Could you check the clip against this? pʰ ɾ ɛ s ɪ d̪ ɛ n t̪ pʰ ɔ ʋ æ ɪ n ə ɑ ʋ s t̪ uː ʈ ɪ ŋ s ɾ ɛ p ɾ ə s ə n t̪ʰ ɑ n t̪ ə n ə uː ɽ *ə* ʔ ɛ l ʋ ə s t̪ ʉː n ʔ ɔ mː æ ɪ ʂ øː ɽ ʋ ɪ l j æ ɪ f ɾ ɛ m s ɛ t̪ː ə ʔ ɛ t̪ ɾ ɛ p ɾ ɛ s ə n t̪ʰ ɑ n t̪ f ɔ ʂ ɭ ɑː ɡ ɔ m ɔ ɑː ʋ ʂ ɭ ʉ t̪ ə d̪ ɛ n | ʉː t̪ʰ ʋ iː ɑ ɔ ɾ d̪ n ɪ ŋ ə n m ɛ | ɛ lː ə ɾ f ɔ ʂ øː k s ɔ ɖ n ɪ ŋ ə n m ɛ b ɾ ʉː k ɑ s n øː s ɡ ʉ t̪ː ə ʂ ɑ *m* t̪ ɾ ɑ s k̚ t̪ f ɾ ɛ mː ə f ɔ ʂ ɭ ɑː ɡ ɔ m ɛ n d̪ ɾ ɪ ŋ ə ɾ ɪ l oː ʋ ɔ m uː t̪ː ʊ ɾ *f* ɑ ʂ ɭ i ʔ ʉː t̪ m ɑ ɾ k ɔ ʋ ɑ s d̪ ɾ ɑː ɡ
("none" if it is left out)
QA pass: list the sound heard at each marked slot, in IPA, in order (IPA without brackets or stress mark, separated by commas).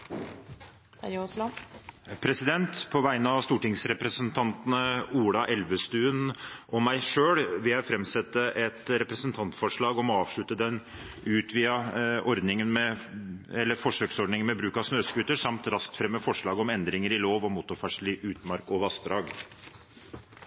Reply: ɑ, m, f